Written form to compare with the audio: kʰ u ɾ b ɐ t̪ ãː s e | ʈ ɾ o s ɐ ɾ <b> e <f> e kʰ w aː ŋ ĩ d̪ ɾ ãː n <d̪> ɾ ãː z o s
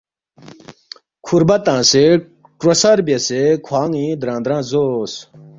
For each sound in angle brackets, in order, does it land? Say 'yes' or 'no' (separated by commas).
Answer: yes, no, yes